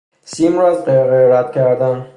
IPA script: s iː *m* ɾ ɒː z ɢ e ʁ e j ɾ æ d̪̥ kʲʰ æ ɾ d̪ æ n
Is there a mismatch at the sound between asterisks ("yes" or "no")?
no